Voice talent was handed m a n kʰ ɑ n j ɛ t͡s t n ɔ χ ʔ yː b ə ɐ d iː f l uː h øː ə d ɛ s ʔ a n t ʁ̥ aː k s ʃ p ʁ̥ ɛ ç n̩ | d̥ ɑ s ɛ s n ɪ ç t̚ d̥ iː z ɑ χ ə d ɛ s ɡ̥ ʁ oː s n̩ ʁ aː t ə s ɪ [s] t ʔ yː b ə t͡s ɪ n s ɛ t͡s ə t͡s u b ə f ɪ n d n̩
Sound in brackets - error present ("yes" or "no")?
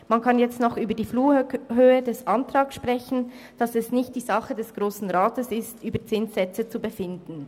no